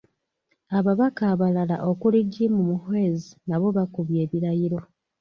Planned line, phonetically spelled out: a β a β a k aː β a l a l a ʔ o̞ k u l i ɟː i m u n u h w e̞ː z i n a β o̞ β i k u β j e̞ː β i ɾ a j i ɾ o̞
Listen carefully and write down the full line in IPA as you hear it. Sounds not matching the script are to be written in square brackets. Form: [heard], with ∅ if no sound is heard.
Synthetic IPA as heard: a β a β a k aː β a l a l a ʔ o̞ k u l i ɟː i m u [m] u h w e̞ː z i n a β o̞ β [a] k u β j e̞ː β i ɾ a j i ɾ o̞